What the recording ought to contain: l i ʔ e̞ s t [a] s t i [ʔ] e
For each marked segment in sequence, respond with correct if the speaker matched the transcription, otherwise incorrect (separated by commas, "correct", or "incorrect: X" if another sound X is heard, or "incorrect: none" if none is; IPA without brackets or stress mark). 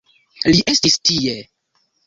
incorrect: i, incorrect: none